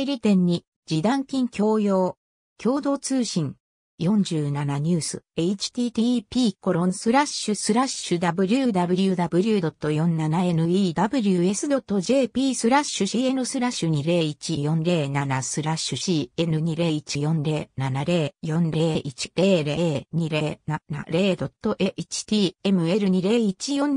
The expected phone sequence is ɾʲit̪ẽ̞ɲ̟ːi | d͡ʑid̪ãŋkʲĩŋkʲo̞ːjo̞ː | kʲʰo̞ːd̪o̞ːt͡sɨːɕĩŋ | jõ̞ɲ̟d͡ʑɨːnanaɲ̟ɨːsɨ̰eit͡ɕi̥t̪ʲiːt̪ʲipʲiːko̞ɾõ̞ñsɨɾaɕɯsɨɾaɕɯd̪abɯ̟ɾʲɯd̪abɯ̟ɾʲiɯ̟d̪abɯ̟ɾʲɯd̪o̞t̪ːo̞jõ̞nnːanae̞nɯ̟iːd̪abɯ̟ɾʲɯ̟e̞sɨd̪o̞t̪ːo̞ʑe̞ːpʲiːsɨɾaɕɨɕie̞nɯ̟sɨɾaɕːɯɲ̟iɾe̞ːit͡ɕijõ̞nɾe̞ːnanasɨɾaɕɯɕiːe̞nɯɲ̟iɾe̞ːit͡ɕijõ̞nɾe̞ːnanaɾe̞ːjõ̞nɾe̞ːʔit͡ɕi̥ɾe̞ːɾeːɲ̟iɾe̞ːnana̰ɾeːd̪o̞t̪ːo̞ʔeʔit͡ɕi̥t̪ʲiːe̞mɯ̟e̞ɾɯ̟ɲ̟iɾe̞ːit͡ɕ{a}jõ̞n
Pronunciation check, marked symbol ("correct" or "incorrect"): incorrect